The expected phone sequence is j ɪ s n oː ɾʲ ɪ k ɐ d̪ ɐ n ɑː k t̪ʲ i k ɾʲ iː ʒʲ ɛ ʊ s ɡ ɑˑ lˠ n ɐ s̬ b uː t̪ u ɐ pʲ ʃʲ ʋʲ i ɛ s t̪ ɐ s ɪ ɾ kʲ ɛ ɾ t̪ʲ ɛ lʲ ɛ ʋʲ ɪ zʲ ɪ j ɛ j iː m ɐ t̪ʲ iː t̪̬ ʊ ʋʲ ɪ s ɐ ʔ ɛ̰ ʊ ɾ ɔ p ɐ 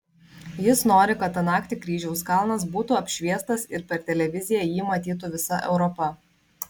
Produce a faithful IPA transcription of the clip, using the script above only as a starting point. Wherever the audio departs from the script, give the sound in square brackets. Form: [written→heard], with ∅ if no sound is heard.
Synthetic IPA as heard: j ɪ s n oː ɾʲ ɪ k ɐ [d̪→t̪] ɐ n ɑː k t̪ʲ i k ɾʲ iː ʒʲ ɛ ʊ s [ɡ→k] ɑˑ lˠ n ɐ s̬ b uː t̪ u ɐ pʲ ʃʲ ʋʲ i ɛ s t̪ ɐ s ɪ ɾ [kʲ→pʲ] ɛ ɾ t̪ʲ ɛ lʲ ɛ ʋʲ ɪ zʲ ɪ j ɛ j iː m ɐ t̪ʲ iː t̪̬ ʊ ʋʲ ɪ s ɐ ʔ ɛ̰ ʊ ɾ ɔ p ɐ